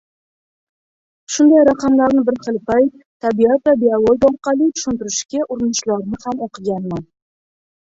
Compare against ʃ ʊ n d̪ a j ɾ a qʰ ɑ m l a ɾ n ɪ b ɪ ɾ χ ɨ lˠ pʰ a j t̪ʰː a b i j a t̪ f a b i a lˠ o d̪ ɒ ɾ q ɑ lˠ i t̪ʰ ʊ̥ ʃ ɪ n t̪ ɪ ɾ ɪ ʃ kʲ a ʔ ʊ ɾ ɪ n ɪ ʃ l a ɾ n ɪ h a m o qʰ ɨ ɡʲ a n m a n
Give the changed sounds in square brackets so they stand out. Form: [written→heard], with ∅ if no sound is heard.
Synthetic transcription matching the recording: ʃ ʊ n d̪ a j ɾ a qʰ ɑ m l a ɾ n ɪ b ɪ ɾ χ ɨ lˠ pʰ a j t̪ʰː a b i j a t̪ [f→v] a b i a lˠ o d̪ ɒ ɾ q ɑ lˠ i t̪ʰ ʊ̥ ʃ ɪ n t̪ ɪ ɾ ɪ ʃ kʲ a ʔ ʊ ɾ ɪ n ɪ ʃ l a ɾ n ɪ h a m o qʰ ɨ ɡʲ a n m a n